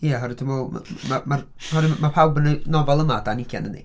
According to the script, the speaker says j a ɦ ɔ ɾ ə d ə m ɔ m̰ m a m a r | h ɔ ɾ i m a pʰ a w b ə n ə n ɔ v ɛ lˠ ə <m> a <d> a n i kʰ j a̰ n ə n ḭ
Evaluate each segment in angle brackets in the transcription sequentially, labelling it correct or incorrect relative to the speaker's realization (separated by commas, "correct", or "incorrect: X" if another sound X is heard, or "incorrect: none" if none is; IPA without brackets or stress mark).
correct, correct